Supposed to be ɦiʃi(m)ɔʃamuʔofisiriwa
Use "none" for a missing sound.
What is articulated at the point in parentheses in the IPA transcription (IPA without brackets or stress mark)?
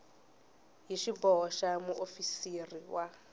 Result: b